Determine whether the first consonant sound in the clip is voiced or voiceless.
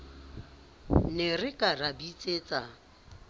voiced